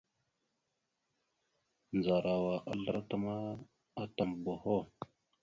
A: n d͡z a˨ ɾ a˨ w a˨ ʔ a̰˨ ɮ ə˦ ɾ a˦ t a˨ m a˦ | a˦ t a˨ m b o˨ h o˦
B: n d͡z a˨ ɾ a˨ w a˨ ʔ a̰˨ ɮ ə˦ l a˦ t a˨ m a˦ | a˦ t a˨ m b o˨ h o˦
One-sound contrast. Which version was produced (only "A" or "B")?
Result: A